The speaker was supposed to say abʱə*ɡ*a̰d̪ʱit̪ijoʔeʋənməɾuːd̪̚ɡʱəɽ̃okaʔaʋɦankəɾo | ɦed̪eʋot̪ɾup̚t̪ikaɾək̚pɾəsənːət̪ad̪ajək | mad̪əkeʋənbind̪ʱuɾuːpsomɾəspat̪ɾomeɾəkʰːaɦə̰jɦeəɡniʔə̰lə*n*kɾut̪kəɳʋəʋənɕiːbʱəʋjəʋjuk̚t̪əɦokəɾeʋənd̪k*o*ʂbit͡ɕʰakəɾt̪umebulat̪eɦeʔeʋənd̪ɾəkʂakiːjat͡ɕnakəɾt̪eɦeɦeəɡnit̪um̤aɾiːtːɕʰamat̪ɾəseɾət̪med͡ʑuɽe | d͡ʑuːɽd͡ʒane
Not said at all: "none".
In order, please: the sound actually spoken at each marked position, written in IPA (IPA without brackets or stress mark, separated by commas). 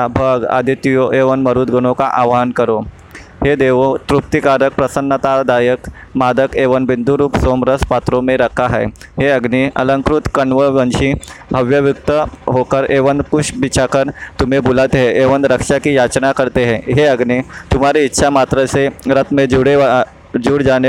ɡ, ŋ, u